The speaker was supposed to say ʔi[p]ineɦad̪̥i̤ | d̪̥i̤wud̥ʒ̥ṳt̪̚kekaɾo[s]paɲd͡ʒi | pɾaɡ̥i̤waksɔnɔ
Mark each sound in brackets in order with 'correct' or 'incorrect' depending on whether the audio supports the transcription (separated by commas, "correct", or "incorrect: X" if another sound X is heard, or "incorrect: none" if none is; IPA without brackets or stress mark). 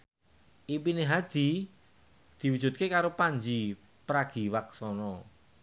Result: correct, incorrect: none